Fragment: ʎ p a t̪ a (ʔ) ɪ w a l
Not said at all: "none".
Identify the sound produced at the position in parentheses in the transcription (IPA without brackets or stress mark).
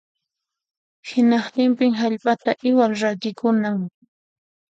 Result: ʔ